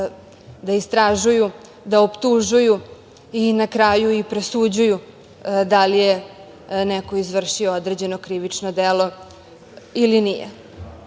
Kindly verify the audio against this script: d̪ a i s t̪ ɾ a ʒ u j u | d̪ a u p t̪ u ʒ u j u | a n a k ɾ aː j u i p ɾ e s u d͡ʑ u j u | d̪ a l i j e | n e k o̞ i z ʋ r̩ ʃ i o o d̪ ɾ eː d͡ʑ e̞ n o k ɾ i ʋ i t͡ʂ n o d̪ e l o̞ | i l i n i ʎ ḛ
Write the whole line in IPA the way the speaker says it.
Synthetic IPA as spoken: d̪ a i s t̪ ɾ a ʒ u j u | d̪ a o p t̪ u ʒ u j u | i n a k ɾ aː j u i p ɾ e s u d͡ʑ u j u | d̪ a l i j e | n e k o̞ i z ʋ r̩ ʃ i o o d̪ ɾ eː d͡ʑ e̞ n o k ɾ i ʋ i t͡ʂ n o d̪ e l o̞ | i l i n i j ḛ